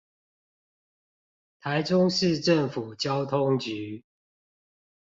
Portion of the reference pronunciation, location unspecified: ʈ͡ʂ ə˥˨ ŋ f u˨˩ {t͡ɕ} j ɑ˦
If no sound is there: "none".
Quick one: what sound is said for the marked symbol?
t͡ɕ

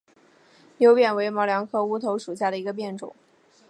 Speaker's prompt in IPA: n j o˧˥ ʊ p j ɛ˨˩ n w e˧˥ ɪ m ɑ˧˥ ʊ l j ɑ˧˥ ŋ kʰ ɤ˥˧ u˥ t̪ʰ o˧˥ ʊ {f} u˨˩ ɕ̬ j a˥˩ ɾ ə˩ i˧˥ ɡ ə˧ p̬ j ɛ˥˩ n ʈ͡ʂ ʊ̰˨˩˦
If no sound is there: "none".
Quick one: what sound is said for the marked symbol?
ʂ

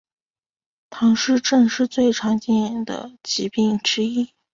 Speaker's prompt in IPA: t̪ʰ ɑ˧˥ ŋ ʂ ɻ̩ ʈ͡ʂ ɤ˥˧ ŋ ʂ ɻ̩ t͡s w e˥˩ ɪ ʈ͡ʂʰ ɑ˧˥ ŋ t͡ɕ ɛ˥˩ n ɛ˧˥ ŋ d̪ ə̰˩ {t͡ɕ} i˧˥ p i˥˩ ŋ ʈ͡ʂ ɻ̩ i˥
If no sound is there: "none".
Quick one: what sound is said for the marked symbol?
t͡ɕ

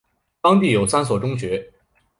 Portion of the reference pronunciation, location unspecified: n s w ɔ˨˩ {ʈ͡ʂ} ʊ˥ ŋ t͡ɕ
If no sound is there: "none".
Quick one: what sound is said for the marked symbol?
ʈ͡ʂ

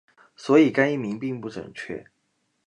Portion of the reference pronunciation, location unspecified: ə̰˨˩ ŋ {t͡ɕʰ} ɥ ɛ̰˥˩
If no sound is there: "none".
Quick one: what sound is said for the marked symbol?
t͡ɕʰ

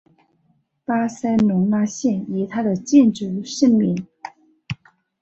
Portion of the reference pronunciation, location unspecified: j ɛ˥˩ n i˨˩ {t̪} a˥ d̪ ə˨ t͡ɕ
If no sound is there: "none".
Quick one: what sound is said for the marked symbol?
t̪ʰ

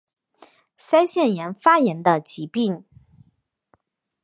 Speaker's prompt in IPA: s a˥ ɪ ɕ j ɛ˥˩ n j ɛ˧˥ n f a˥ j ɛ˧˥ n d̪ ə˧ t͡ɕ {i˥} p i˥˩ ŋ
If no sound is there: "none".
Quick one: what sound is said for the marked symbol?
i˧˥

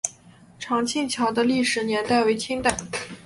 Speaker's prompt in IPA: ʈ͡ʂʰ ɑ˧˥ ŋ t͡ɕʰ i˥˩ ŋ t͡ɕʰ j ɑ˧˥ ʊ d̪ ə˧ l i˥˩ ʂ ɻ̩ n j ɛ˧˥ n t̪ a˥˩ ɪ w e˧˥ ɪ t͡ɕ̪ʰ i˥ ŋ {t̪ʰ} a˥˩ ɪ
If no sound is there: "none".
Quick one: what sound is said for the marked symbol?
t̪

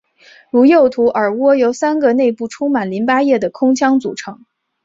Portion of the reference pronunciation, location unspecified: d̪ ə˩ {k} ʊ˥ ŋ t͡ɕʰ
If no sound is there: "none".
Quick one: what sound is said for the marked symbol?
kʰ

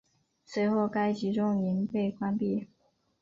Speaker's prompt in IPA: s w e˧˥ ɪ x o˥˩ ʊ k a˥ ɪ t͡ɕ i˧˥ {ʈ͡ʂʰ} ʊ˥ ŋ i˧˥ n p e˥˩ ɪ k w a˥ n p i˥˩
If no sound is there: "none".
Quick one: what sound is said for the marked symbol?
ʈ͡ʂ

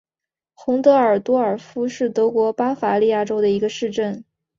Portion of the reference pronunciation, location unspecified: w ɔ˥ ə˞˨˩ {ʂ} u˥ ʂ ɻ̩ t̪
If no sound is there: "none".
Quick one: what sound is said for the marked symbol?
f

